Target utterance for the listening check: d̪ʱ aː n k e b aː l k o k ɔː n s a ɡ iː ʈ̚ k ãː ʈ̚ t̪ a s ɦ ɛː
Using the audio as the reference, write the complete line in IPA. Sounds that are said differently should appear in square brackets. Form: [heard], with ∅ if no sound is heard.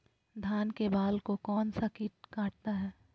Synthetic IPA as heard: d̪ʱ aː n k e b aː l k o k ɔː n s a [k] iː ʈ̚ k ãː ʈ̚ t̪ a [∅] ɦ ɛː